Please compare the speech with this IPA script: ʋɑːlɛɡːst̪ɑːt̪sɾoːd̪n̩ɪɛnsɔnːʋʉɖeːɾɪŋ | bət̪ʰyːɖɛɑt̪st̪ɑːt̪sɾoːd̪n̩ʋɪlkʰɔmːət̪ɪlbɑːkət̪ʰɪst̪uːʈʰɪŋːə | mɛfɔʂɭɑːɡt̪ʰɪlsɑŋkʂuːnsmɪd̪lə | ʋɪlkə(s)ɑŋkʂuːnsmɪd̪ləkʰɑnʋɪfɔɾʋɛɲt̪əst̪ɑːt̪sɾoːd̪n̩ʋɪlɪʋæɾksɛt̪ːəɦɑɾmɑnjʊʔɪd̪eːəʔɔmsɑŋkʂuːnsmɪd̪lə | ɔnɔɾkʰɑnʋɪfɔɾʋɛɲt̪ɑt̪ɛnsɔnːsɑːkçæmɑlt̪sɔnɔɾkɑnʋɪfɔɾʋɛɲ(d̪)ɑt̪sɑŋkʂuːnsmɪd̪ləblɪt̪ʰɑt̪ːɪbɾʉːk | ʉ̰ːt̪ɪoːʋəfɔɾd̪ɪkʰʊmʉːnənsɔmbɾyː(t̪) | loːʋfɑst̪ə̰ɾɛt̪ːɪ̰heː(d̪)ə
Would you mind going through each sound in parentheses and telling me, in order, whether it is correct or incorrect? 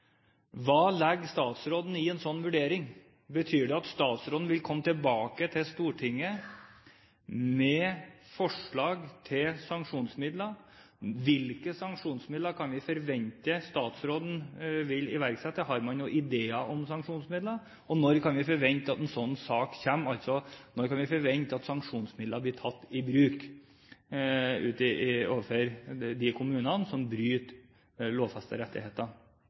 correct, incorrect, correct, incorrect

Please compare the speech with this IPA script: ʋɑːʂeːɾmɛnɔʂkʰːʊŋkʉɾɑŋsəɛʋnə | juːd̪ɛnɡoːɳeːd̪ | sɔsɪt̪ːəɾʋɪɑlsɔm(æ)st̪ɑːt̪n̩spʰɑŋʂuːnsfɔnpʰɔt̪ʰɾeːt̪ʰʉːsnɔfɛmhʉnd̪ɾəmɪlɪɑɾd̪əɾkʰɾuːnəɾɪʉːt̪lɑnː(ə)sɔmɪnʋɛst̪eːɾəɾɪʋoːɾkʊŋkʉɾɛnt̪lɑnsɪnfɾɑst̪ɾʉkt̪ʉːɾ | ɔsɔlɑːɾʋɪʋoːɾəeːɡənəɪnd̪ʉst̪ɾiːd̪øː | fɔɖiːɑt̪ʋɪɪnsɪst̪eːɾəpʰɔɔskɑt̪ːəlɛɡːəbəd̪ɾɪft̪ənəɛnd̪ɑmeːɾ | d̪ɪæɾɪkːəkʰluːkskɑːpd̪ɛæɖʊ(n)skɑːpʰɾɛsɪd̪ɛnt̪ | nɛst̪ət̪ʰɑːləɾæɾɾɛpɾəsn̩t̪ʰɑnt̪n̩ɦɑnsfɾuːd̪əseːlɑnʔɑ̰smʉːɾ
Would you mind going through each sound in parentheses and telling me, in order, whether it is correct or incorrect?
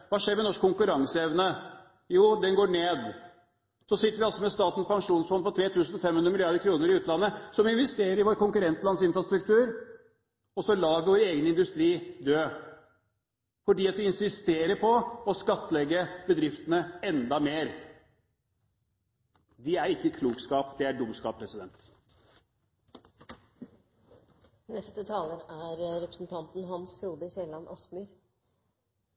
incorrect, correct, incorrect

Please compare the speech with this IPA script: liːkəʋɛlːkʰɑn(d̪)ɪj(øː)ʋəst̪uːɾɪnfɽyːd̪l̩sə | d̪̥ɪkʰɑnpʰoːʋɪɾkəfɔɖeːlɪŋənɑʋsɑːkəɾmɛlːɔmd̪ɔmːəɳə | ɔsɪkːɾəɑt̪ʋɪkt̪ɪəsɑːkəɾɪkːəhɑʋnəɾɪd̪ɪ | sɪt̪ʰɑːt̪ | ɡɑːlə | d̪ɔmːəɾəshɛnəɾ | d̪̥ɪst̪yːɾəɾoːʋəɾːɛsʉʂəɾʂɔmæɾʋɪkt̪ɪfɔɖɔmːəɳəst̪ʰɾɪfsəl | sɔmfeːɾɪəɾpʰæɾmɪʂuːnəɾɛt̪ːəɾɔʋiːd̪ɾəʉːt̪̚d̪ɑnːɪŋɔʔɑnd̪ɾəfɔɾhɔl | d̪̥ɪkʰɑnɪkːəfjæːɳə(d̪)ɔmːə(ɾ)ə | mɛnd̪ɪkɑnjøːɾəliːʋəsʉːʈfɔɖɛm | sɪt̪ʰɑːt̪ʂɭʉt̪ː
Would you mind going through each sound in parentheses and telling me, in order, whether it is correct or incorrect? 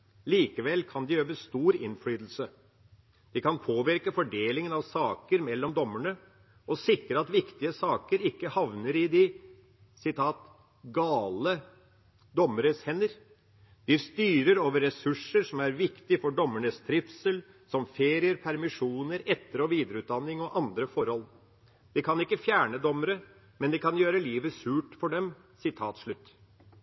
correct, correct, correct, correct

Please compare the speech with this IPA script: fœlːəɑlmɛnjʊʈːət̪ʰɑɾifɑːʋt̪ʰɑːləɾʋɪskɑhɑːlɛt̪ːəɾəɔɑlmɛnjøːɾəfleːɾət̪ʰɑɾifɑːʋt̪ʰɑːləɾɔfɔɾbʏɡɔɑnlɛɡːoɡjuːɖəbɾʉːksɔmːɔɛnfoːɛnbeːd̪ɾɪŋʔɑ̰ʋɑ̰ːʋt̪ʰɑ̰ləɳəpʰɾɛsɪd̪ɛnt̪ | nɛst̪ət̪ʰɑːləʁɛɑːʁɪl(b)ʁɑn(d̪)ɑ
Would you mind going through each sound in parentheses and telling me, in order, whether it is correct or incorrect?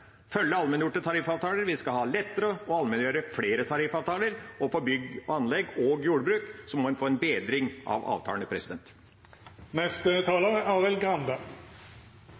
incorrect, correct

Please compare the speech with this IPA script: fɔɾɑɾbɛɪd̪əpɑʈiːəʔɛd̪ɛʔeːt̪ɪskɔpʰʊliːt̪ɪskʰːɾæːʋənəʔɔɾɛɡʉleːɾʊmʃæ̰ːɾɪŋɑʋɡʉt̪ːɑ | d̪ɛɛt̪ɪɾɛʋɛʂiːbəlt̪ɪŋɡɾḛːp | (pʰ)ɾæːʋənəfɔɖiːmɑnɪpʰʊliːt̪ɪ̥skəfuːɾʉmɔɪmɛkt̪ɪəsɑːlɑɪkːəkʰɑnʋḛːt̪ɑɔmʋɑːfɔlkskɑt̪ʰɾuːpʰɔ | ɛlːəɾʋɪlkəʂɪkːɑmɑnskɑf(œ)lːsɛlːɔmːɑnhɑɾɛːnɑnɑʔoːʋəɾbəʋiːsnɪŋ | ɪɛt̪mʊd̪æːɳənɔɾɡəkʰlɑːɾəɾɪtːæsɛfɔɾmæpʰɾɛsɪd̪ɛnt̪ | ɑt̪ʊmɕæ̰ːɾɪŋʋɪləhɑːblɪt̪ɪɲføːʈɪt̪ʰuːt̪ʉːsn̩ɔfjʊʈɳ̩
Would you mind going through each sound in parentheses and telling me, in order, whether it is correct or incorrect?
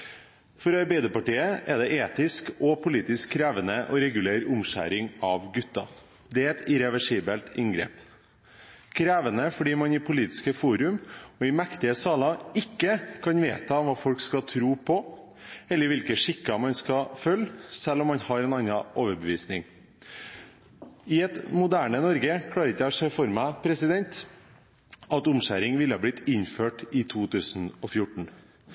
incorrect, correct

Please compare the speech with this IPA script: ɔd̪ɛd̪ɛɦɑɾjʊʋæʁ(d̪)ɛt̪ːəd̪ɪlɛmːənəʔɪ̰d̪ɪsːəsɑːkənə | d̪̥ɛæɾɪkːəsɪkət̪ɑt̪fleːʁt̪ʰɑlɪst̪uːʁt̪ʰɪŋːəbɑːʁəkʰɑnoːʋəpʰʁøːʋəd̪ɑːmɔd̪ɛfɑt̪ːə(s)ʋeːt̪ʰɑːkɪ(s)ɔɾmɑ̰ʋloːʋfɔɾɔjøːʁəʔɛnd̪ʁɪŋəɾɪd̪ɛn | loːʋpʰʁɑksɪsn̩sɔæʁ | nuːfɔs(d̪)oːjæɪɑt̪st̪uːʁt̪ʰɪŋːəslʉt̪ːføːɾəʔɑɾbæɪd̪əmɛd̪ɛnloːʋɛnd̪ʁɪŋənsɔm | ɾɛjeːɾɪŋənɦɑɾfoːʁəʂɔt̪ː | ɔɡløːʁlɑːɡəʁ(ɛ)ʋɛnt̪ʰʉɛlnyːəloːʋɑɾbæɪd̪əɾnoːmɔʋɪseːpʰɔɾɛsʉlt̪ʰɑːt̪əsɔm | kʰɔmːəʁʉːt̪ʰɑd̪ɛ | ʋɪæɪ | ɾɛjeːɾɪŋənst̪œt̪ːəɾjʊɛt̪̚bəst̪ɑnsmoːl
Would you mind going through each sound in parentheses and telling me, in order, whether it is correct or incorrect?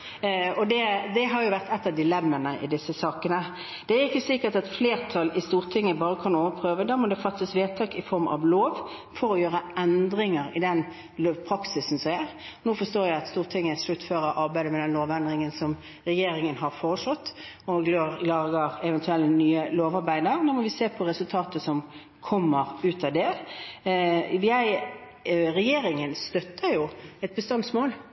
incorrect, correct, incorrect, incorrect, correct

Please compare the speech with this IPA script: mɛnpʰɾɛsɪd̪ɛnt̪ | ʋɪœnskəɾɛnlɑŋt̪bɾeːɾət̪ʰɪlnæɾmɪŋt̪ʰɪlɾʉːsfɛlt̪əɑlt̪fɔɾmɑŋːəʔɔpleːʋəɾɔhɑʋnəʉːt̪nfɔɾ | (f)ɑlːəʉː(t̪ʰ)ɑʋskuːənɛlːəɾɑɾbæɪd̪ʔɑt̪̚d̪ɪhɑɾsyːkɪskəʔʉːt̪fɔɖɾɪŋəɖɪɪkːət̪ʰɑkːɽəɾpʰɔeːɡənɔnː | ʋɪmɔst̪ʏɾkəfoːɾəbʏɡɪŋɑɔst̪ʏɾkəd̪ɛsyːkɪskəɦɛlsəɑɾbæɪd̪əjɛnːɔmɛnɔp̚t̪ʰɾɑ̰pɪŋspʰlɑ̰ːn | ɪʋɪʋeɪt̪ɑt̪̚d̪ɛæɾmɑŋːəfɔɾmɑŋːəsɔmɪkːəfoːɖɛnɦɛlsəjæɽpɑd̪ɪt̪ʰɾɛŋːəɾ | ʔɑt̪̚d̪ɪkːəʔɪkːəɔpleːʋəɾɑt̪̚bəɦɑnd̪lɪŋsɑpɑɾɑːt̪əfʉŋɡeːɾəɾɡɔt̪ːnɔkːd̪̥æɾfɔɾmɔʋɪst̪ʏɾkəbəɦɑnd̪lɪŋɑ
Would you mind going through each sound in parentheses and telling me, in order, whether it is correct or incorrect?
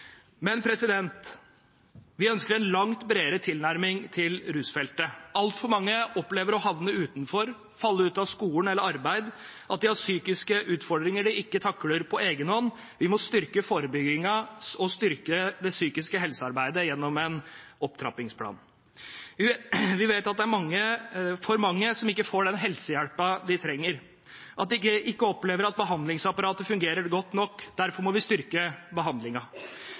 correct, incorrect

